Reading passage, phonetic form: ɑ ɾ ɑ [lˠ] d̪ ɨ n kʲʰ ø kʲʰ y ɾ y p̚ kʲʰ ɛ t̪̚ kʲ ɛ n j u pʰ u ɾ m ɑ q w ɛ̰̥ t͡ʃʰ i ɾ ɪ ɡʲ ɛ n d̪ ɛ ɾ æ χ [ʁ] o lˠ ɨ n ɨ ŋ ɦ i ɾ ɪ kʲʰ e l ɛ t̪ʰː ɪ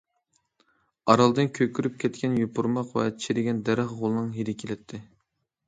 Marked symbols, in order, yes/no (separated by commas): yes, yes